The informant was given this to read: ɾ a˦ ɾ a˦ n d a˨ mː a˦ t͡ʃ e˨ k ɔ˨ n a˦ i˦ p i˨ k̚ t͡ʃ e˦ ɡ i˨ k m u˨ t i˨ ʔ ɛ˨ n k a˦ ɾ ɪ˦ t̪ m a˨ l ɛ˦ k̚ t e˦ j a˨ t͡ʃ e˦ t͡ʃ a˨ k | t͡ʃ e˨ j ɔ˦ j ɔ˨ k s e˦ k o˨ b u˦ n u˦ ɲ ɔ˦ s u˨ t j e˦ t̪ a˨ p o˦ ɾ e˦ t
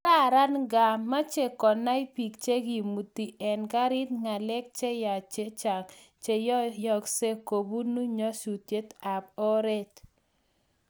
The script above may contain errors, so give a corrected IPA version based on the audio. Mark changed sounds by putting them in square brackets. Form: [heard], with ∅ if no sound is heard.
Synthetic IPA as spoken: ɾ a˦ ɾ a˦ n [ɡ] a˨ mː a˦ t͡ʃ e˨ k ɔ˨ n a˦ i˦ p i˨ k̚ t͡ʃ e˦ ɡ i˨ [∅] m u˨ t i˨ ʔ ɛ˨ n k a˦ ɾ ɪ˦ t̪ [ŋ] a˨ l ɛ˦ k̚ [t͡ʃ] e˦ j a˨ t͡ʃ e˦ t͡ʃ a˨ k | t͡ʃ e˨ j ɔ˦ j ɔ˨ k s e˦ k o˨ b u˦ n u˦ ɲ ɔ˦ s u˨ t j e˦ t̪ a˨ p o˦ ɾ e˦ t